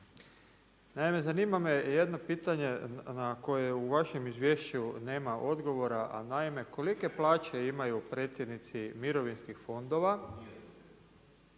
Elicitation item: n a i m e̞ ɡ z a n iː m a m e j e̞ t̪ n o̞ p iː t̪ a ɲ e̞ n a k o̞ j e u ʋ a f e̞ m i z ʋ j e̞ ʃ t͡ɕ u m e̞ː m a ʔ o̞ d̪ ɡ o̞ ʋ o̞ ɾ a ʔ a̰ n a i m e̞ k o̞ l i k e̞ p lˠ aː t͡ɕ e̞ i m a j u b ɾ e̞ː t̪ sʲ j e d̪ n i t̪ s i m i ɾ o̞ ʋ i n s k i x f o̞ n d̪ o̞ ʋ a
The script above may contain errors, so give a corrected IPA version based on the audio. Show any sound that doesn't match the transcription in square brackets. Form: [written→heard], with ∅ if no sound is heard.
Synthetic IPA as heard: n a i m e̞ [ɡ→∅] z a n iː m a m e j e̞ [t̪→d̪] n o̞ p iː t̪ a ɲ e̞ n a k o̞ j e u ʋ a [f→ʃ] e̞ m i z ʋ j e̞ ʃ t͡ɕ u [m→n] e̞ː m a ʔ o̞ d̪ ɡ o̞ ʋ o̞ ɾ a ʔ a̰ n a i m e̞ k o̞ l i k e̞ p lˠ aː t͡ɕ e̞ i m a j u [b→p] ɾ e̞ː t̪ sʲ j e d̪ n i t̪ s i m i ɾ o̞ ʋ i n s k i x f o̞ n d̪ o̞ ʋ a